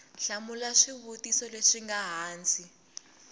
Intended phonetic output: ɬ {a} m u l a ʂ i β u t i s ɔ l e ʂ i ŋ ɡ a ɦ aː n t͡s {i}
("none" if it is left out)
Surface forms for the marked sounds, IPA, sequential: a, i

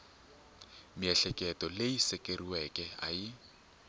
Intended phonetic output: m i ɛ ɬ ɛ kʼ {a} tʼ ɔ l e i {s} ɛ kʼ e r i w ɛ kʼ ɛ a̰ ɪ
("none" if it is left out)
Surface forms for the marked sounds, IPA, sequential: ɛ, s

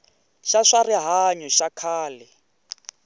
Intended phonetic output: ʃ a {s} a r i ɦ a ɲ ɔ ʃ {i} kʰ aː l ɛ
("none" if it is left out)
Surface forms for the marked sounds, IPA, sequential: ʂ, a

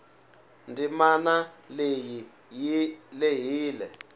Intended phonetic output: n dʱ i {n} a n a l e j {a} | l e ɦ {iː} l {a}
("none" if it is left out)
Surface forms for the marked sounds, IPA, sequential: m, i, iː, ɛ

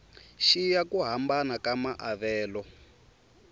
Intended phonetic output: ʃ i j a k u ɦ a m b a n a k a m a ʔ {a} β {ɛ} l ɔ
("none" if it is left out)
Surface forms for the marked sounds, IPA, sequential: a, ɛː

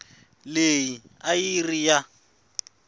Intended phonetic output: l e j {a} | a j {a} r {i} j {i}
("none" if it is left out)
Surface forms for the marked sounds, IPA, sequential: i, i, i, a

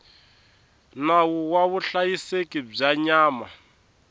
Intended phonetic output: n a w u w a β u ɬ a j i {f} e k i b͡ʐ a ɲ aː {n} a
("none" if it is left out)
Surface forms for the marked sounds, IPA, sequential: s, m

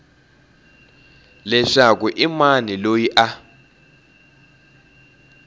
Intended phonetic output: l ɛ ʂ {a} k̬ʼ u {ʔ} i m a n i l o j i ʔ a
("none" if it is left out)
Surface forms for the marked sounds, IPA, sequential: a, ʔ

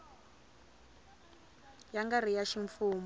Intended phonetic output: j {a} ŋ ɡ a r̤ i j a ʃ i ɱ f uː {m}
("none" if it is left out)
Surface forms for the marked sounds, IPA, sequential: a, m

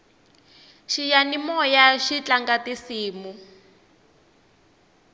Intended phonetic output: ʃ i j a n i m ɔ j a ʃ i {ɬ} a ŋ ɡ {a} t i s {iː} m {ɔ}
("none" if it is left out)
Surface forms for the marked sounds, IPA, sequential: t͡ɬ, a, iː, u

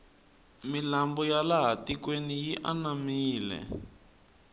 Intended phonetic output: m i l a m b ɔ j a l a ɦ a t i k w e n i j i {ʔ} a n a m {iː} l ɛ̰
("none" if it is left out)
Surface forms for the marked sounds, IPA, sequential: ʔ, iː

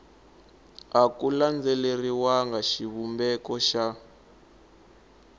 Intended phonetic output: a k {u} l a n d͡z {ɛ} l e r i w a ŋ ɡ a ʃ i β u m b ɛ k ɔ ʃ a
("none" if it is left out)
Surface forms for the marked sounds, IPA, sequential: u, ɛ

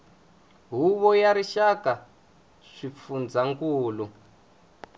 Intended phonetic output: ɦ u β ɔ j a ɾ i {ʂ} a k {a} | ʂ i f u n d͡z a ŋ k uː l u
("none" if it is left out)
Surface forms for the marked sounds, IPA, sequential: ʃ, a

